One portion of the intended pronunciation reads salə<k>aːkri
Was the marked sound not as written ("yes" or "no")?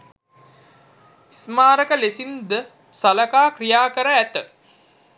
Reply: no